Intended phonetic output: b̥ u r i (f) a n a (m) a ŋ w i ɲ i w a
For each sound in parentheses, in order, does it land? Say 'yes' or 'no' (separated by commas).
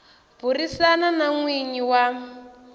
no, no